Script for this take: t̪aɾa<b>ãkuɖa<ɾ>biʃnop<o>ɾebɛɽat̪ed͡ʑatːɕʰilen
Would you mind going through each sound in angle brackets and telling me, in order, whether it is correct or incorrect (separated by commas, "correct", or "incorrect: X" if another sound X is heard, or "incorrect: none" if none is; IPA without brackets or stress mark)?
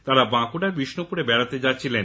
correct, correct, incorrect: u